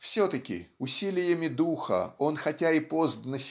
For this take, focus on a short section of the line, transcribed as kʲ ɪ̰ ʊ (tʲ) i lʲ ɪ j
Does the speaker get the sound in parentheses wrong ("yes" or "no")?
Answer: yes